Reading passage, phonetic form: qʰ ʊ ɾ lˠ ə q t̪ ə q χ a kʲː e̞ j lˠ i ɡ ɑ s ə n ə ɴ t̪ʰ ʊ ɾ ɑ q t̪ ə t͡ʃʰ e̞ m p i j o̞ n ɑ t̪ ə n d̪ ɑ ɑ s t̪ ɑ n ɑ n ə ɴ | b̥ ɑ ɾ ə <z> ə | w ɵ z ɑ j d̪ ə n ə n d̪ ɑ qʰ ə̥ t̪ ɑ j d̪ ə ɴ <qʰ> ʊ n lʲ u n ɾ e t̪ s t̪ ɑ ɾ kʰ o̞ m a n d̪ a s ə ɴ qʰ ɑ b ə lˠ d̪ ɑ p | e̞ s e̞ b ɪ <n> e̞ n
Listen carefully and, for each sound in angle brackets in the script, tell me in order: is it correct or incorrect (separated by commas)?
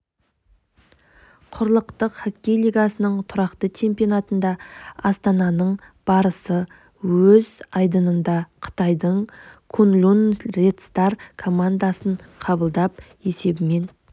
incorrect, incorrect, incorrect